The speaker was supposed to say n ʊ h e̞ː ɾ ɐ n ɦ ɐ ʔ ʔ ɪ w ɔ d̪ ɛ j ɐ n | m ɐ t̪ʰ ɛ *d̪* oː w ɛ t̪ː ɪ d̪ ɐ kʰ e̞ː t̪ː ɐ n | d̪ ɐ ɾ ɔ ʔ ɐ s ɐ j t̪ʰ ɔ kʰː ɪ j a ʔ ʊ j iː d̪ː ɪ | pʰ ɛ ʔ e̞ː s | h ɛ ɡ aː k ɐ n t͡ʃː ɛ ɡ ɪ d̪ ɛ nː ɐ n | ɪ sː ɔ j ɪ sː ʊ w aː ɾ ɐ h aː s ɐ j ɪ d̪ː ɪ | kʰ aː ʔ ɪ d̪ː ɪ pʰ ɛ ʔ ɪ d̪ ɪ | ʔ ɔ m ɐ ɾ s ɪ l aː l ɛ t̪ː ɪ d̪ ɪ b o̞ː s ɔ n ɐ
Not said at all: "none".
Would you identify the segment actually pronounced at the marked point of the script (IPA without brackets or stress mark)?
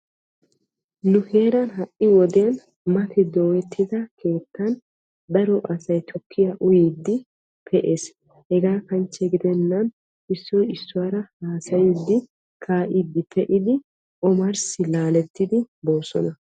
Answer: d̪